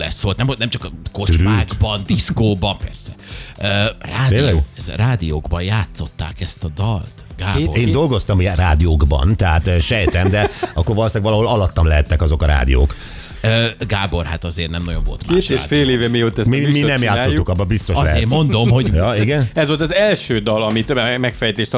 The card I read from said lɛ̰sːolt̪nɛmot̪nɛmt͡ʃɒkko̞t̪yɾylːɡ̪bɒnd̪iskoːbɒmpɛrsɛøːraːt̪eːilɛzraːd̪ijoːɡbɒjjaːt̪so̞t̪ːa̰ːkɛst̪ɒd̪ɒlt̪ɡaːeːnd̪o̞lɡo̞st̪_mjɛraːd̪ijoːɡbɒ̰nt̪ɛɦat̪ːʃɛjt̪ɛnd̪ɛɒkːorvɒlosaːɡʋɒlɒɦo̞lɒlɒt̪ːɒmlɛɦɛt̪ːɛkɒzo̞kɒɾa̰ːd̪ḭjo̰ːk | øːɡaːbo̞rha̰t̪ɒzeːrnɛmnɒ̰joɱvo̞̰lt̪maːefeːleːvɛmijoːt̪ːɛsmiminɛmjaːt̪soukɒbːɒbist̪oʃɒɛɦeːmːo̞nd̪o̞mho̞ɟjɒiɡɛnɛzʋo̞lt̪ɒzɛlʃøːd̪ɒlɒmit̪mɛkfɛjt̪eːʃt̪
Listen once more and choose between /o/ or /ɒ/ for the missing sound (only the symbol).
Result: ɒ